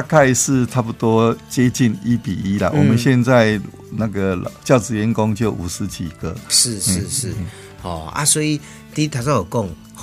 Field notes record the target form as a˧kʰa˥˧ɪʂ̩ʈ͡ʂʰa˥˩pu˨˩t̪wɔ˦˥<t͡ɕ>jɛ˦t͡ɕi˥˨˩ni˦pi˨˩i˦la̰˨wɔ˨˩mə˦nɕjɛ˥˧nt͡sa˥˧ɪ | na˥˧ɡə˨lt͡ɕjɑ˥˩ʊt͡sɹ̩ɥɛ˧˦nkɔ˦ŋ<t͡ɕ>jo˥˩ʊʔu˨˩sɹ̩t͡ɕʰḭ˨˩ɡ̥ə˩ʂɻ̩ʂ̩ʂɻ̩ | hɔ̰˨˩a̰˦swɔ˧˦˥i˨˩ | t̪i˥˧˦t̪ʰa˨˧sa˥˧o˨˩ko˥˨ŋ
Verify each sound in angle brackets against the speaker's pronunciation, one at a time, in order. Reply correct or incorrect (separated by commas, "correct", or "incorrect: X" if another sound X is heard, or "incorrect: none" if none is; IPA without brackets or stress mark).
correct, correct